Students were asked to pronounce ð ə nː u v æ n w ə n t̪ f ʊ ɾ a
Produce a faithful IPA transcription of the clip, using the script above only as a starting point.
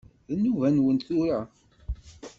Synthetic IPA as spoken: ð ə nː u v æ n w ə n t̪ θ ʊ ɾ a